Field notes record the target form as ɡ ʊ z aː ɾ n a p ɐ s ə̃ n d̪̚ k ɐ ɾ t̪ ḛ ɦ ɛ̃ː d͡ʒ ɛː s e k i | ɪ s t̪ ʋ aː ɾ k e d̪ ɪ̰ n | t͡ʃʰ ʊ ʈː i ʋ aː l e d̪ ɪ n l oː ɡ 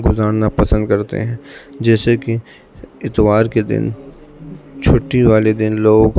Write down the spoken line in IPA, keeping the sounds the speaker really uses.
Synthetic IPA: ɡ ʊ z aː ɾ n a p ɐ s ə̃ n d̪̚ k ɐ ɾ t̪ ḛ ɦ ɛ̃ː d͡ʒ ɛː s e k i | ɪ t̪ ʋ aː ɾ k e d̪ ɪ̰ n | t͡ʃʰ ʊ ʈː i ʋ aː l e d̪ ɪ n l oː ɡ